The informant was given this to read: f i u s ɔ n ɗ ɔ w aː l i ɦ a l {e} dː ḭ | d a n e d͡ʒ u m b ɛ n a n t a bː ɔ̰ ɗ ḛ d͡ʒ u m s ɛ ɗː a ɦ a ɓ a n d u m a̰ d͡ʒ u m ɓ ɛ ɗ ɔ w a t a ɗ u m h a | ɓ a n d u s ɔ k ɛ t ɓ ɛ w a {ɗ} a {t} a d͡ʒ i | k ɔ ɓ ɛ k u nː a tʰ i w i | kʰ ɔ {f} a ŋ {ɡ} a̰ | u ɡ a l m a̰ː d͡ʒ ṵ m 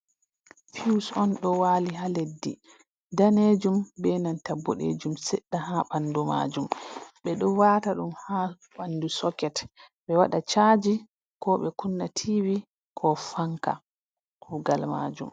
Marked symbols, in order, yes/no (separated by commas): yes, yes, no, yes, no